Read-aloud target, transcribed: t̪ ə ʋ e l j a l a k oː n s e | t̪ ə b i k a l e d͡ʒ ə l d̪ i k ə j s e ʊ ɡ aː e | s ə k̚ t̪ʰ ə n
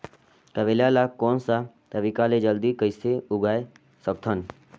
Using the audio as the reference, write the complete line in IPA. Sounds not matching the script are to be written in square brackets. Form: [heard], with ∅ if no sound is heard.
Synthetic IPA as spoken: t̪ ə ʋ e l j a l a k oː n s [a] | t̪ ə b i k a l e d͡ʒ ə l d̪ i k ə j s e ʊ ɡ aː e | s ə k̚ t̪ʰ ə n